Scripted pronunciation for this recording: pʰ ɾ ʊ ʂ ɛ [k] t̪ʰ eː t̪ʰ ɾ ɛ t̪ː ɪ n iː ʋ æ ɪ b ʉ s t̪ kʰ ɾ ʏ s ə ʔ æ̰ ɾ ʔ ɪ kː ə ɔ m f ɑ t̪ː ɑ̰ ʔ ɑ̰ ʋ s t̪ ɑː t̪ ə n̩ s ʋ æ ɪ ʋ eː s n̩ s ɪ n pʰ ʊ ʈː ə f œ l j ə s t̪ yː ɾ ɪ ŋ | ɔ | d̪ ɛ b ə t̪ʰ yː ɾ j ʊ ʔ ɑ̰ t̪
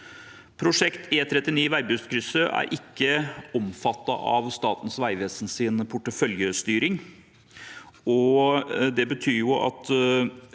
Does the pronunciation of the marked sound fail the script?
no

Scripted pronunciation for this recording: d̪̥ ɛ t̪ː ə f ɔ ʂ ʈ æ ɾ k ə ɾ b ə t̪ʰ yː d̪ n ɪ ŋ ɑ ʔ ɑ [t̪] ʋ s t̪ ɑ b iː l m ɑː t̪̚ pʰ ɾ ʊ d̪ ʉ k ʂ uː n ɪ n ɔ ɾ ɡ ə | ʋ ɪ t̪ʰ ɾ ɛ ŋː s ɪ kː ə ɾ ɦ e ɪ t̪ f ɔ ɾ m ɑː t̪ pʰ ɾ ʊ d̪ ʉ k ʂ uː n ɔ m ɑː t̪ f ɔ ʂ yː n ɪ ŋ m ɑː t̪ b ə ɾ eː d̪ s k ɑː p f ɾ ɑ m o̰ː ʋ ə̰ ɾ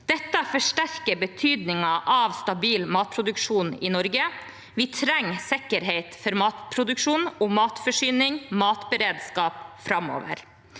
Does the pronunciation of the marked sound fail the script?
yes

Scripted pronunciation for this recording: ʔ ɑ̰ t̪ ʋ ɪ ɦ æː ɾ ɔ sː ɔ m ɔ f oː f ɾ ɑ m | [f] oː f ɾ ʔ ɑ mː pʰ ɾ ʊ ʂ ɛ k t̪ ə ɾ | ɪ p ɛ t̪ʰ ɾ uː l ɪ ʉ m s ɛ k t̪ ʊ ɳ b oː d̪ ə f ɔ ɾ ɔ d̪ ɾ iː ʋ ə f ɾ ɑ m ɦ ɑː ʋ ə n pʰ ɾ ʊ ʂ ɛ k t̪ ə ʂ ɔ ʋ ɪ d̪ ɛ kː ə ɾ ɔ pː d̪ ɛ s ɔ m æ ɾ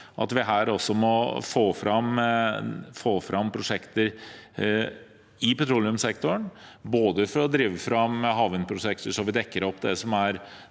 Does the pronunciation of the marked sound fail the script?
no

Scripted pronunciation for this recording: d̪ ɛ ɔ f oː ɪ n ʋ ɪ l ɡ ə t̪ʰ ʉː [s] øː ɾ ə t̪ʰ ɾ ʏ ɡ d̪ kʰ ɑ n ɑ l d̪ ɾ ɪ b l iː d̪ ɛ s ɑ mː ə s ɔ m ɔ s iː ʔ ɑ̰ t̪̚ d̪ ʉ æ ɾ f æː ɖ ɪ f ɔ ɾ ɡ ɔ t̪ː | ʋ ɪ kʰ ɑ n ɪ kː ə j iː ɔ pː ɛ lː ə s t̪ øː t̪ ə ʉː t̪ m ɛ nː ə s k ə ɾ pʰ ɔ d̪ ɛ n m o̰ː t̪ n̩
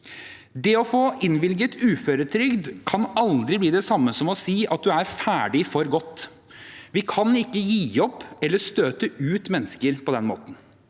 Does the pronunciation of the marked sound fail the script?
yes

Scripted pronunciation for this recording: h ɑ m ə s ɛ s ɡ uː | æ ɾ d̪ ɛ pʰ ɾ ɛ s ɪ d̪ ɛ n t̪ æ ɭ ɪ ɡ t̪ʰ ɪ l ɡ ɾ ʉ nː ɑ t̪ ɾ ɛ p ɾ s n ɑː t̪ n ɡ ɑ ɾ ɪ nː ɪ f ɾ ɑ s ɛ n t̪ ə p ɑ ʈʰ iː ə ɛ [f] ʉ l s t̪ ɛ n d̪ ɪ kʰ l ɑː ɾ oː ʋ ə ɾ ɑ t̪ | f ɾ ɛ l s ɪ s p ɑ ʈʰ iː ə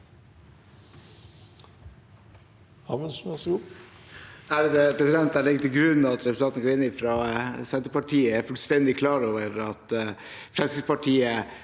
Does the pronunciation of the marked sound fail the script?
no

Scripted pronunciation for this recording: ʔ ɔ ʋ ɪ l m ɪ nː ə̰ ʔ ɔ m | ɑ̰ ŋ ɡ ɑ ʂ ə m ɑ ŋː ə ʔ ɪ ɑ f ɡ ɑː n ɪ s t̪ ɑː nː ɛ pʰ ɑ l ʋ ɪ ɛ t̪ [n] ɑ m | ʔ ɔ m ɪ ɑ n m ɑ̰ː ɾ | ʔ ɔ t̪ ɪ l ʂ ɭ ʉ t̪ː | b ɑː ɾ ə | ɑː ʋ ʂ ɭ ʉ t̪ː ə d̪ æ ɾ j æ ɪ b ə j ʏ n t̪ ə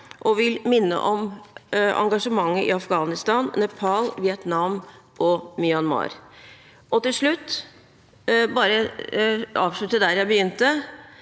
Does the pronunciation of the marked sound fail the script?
no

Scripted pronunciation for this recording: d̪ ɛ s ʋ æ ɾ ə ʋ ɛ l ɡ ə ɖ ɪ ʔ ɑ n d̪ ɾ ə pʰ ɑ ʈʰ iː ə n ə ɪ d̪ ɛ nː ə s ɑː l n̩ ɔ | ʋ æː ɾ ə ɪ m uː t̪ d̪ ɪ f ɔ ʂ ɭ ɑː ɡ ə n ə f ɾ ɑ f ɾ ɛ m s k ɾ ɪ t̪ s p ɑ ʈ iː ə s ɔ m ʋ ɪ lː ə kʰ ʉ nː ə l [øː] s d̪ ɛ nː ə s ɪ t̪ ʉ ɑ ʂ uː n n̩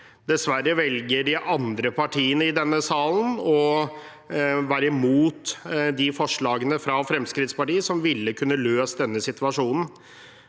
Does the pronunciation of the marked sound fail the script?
no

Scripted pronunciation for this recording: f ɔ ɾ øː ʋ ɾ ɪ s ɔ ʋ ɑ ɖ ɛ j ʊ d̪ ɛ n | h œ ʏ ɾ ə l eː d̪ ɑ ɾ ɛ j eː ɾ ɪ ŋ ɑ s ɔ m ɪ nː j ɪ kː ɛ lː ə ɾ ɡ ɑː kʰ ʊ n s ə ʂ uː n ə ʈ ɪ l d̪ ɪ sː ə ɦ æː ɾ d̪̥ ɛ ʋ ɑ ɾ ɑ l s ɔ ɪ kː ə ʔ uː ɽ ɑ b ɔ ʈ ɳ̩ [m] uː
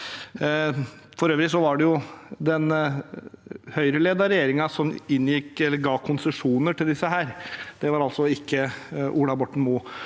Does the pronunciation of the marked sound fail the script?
no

